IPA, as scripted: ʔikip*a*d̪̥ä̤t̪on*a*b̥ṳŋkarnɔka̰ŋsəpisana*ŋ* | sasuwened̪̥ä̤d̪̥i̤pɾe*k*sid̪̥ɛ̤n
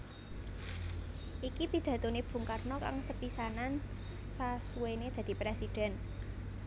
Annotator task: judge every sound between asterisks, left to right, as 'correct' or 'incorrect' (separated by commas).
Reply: incorrect, incorrect, incorrect, incorrect